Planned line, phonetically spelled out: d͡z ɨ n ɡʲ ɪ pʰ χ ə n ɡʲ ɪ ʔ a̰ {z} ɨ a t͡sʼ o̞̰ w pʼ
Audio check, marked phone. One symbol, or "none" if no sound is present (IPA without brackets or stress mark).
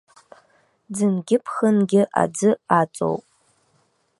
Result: d͡z